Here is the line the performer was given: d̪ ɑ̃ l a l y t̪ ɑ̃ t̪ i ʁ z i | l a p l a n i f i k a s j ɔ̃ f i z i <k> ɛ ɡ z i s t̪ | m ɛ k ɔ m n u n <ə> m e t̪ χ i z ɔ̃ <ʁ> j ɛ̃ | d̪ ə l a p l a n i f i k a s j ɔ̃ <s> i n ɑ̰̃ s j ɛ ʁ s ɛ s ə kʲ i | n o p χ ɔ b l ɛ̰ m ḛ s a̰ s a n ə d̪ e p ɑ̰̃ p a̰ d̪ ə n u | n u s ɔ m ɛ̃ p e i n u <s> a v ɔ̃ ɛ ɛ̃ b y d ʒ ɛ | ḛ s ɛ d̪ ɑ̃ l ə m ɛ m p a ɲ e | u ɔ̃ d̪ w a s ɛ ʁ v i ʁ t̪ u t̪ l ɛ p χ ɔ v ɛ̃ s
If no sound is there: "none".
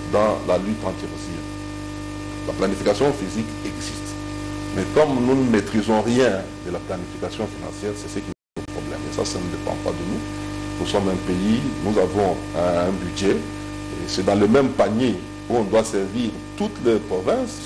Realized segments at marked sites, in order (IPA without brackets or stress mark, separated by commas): k, ə, ʁ, f, z